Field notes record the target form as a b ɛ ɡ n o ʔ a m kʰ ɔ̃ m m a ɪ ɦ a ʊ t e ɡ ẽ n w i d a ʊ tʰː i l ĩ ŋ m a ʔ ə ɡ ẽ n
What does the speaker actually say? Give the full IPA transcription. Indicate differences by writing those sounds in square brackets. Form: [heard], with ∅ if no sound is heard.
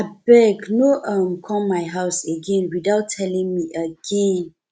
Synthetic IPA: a b ɛ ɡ n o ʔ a m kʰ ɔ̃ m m a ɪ ɦ a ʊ [s] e ɡ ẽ n w i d a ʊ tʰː [ɛ] l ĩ ŋ m [i] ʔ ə ɡ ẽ n